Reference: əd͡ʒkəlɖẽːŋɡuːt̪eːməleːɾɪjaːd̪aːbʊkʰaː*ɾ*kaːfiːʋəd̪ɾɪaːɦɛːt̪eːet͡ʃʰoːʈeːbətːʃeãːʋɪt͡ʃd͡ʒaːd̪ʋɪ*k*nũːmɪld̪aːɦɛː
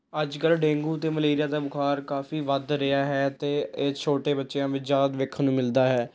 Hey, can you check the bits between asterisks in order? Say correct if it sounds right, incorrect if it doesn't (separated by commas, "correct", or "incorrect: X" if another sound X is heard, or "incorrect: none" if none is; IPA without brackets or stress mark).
correct, incorrect: kʰ